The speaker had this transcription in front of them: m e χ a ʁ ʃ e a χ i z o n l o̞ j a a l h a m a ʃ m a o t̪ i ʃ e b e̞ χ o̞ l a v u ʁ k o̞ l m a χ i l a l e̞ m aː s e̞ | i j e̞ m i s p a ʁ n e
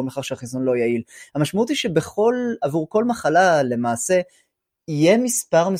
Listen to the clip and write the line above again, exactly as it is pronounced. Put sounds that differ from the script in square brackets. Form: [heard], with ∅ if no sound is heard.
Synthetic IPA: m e χ a ʁ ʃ e a χ i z o n l o̞ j a [i] l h a m a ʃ m a [u] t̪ i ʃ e b e̞ χ o̞ l a v u ʁ k o̞ l m a χ [a] l a l e̞ m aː s e̞ | i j e̞ m i s p a ʁ [m] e